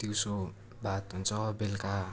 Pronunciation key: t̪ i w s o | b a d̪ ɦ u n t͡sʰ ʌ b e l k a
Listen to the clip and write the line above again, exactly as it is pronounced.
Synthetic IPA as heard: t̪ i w s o | b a t̪ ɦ u n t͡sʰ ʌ b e l k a

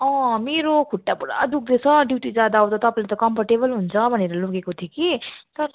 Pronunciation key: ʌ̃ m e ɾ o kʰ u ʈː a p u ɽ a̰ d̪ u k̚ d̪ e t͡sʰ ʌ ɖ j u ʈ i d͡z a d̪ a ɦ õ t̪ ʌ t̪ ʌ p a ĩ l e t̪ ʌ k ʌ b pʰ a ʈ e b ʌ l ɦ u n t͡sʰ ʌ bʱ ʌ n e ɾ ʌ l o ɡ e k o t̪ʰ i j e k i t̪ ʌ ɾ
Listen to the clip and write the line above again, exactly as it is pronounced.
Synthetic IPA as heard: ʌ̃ m e ɾ o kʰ u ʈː a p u ɽ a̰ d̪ u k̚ d̪ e t͡sʰ ʌ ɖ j u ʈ i d͡z a d̪ a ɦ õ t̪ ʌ t̪ ʌ p a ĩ l e t̪ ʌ k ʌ m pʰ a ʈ e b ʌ l ɦ u n t͡sʰ ʌ bʱ ʌ n e ɾ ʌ l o ɡ e k o t̪ʰ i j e k i t̪ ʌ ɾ

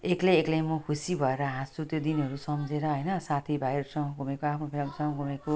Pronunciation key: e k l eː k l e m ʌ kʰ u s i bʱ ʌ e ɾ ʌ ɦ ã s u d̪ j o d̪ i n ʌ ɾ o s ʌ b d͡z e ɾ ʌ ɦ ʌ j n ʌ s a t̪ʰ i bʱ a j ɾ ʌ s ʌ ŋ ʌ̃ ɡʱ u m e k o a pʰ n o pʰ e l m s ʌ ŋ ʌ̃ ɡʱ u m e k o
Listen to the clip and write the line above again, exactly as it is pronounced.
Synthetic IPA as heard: e k l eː k l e m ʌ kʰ u s i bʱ ʌ e ɾ ʌ ɦ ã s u t̪ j o d̪ i n ʌ ɾ u s ʌ m d͡z e ɾ ʌ ɦ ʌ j n ʌ s a t̪ʰ i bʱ a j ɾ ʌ s ʌ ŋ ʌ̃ ɡʱ u m e k o a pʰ n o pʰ e l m s ʌ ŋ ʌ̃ ɡʱ u m e k o

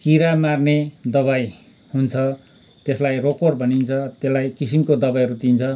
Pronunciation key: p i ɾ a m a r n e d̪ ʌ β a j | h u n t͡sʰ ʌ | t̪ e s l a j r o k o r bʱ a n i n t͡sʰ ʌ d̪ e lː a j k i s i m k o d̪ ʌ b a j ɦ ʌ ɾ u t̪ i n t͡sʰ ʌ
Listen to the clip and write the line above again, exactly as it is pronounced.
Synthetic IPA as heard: k i ɾ a m a r n e d̪ ʌ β a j | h u n t͡sʰ ʌ | t̪ e s l a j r o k o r bʱ ʌ n i n t͡sʰ ʌ t̪ e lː a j k i s i m k o d̪ ʌ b a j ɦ ʌ ɾ u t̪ i n t͡sʰ ʌ

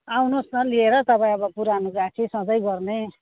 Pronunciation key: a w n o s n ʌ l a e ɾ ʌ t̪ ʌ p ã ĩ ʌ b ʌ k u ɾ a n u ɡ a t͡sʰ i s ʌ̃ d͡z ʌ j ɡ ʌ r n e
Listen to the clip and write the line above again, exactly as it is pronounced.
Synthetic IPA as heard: a w n o s n ʌ l i e ɾ ʌ t̪ ʌ p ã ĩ ʌ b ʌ p u ɾ a n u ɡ a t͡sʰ i s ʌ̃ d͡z ʌ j ɡ ʌ r n e

